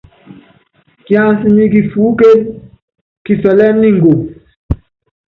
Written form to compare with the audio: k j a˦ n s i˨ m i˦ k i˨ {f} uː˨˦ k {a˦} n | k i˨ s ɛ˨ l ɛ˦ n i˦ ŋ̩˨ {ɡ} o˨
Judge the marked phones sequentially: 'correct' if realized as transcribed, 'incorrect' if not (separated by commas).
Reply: correct, incorrect, correct